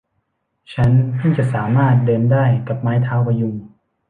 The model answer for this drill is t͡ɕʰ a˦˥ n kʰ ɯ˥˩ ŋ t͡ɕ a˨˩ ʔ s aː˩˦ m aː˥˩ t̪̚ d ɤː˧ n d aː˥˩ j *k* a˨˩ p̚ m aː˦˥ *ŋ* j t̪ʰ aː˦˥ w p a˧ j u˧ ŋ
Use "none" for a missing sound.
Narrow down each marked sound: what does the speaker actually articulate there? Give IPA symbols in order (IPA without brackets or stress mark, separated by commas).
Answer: k, none